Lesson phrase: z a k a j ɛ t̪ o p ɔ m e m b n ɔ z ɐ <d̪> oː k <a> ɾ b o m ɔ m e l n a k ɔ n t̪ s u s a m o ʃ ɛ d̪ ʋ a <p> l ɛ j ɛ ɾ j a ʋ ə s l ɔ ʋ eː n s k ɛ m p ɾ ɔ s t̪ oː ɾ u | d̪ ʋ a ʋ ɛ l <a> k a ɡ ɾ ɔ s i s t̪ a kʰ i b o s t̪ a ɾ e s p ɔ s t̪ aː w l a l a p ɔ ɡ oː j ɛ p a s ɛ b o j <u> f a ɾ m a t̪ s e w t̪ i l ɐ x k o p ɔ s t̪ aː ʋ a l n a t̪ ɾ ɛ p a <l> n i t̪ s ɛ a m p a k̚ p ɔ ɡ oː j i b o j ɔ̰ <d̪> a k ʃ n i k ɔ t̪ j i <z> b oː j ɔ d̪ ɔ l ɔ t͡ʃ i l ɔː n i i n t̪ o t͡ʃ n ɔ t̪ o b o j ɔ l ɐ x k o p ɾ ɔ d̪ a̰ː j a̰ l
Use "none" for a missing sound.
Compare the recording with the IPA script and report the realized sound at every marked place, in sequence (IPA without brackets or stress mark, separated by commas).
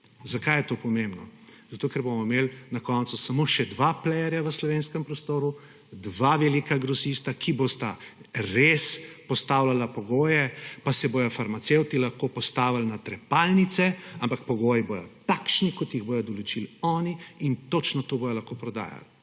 t̪, ɛ, p, i, ɔ, l, t̪, ɣ